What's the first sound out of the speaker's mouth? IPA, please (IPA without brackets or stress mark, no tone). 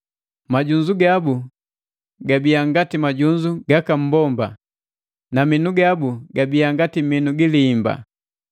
m